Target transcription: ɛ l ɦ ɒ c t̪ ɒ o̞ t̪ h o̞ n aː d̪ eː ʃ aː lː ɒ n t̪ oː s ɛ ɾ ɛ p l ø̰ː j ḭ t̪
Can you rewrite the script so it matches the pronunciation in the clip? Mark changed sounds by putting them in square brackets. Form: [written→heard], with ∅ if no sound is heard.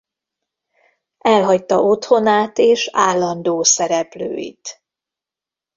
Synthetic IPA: ɛ l ɦ ɒ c t̪ ɒ o̞ t̪ h o̞ n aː [d̪→t̪] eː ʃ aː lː ɒ n [t̪→d̪] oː s ɛ ɾ ɛ p l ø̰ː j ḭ t̪